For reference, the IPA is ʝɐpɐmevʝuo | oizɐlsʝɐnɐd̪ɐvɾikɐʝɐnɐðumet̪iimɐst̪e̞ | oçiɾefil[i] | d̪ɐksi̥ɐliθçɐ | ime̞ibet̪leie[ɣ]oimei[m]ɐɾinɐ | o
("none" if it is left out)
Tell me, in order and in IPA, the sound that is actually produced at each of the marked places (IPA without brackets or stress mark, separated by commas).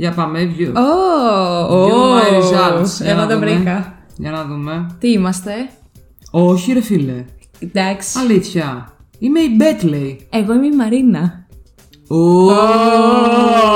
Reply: e, ɣ, m